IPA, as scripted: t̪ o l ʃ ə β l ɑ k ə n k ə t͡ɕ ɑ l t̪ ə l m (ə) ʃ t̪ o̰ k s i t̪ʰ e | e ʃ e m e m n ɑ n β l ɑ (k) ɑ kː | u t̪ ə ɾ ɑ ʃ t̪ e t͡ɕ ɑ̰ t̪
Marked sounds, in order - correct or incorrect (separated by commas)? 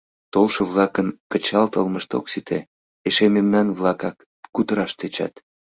correct, correct